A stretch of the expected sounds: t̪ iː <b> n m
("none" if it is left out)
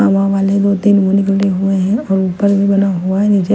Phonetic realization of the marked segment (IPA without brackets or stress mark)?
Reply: none